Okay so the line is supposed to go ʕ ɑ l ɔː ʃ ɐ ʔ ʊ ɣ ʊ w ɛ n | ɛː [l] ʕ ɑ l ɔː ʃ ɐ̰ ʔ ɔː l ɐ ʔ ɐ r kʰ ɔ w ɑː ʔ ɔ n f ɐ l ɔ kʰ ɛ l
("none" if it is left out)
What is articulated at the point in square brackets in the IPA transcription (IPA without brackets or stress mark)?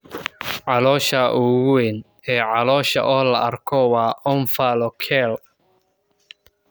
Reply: none